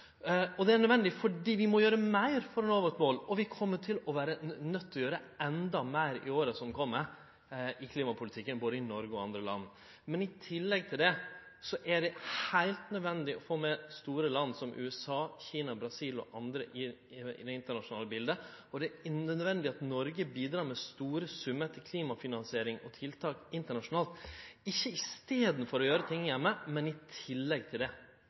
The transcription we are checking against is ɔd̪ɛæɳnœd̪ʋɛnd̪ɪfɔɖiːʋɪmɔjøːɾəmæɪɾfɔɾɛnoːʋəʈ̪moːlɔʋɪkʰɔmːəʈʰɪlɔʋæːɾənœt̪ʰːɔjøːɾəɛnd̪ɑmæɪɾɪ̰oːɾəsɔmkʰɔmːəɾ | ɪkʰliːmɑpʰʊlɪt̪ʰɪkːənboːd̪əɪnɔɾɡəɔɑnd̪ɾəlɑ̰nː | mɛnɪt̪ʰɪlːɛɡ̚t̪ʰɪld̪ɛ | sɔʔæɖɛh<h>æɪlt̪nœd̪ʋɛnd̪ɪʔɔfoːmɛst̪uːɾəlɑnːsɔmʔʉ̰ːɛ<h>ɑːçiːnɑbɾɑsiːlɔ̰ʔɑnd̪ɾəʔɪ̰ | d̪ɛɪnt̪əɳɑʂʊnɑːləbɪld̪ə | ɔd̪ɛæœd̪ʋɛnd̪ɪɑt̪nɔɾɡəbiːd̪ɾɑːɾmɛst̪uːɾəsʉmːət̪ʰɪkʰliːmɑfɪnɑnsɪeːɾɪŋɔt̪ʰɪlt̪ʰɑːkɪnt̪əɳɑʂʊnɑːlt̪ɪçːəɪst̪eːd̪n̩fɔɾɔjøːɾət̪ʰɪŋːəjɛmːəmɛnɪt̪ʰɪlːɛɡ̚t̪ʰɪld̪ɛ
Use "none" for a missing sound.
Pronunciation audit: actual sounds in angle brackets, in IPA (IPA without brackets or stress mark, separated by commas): h, s